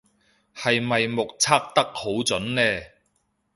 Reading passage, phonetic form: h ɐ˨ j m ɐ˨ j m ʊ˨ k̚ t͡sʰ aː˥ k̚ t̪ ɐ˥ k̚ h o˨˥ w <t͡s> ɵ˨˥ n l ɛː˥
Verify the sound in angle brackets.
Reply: correct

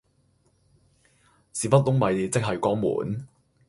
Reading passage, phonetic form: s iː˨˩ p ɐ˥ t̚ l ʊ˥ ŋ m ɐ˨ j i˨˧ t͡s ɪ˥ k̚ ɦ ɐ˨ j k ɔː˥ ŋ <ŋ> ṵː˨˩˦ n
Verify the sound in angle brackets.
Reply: incorrect: m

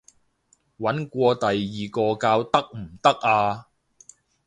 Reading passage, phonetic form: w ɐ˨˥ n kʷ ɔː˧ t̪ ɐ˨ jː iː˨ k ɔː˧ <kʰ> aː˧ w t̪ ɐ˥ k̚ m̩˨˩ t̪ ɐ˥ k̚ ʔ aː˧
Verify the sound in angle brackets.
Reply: incorrect: k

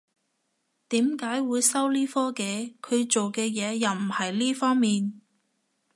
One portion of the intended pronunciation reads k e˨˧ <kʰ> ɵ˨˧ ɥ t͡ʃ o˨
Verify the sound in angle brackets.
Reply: correct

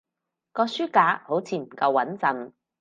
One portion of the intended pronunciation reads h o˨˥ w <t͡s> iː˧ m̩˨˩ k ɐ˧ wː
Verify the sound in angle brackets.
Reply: incorrect: t͡sʰ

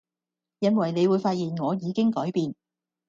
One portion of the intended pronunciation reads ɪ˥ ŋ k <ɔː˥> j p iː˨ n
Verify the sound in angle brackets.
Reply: incorrect: ɔː˨˥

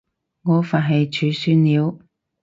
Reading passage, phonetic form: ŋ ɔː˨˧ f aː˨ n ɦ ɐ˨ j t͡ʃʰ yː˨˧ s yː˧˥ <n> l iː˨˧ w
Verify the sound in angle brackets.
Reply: correct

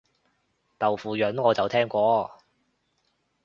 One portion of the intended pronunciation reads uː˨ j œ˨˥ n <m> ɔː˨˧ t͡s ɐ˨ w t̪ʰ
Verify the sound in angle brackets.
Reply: incorrect: ŋ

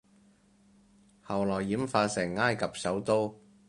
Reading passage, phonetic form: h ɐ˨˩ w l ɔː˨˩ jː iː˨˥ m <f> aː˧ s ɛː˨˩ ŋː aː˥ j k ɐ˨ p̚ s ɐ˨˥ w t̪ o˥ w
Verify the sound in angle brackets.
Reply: correct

